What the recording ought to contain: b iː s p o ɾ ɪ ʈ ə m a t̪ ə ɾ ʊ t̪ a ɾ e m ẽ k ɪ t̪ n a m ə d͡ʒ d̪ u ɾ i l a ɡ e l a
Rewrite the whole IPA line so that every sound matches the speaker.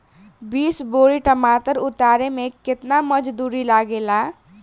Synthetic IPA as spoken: b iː s b o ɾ i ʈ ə m a t̪ ə ɾ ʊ t̪ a ɾ e m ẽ k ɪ t̪ n a m ə d͡ʒ d̪ u ɾ i l a ɡ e l a